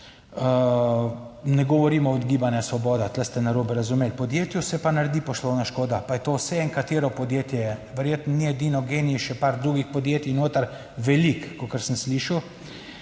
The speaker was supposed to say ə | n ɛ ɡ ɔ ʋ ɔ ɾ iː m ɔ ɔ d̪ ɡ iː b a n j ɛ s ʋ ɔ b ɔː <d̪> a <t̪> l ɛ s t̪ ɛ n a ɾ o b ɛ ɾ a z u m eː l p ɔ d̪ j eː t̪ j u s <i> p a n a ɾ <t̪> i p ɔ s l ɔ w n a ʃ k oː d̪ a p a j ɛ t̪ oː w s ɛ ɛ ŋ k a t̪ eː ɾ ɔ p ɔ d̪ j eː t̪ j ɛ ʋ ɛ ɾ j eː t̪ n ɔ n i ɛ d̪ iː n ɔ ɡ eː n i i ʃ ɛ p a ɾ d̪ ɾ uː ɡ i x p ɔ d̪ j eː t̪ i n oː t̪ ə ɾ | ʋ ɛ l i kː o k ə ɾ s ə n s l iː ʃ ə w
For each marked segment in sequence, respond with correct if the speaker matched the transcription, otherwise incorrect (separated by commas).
correct, correct, incorrect, incorrect